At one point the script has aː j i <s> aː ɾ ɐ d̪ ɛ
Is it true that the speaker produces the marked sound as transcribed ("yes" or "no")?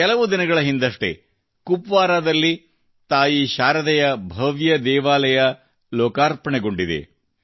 no